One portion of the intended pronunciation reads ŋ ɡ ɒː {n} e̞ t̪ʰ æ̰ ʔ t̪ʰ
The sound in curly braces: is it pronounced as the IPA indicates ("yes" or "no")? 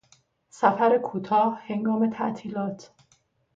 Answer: no